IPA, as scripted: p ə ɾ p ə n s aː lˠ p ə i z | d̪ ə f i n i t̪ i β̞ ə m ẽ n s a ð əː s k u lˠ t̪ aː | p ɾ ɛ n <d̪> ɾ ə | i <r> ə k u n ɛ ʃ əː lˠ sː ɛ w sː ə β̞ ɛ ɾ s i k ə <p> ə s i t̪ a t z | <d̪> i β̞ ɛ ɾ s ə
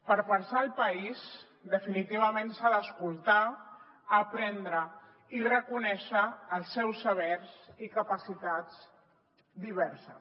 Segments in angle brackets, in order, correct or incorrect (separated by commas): correct, correct, correct, correct